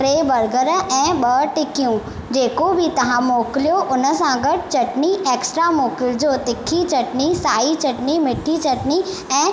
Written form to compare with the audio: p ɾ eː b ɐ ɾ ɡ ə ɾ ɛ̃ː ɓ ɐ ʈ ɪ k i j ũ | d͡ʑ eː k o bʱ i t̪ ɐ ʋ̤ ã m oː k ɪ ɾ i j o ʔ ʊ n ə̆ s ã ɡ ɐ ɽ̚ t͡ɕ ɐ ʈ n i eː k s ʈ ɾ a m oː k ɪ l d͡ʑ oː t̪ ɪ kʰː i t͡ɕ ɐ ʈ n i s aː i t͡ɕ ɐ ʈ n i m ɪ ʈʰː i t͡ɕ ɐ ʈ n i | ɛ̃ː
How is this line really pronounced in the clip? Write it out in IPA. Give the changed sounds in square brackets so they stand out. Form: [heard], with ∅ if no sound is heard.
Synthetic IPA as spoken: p ɾ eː b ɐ ɾ ɡ ə ɾ ɛ̃ː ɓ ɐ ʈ ɪ k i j ũ | d͡ʑ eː k o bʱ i t̪ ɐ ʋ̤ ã m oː k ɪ [l] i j o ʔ ʊ n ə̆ s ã ɡ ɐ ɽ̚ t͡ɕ ɐ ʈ n i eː k s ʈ ɾ a m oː k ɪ l d͡ʑ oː t̪ ɪ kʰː i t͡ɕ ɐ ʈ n i s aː i t͡ɕ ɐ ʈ n i m ɪ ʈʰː i t͡ɕ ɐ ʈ n i | ɛ̃ː